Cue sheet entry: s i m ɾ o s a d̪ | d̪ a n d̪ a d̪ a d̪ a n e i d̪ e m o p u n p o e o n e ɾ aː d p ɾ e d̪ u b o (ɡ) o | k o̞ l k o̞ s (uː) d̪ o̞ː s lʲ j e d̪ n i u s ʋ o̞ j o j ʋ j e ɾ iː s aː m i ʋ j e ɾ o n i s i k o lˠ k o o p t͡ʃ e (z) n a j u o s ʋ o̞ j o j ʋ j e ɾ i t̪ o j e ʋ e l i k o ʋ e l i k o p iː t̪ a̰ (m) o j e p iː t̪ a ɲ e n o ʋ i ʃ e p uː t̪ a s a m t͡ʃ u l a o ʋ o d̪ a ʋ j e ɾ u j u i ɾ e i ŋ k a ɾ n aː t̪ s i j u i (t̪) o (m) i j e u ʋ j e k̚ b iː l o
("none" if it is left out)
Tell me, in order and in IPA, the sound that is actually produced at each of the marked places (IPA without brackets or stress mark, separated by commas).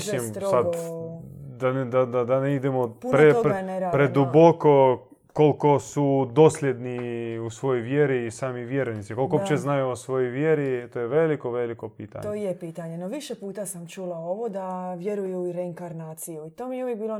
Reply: k, u, z, ɲ, t̪, m